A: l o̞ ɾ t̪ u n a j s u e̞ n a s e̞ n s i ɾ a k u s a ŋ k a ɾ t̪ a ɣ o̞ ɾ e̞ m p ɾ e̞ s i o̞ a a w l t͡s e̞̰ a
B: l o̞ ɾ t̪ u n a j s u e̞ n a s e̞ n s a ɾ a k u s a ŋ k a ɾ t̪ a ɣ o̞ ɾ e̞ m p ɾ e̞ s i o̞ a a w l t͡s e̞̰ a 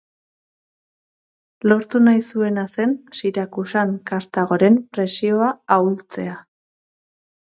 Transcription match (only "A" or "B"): A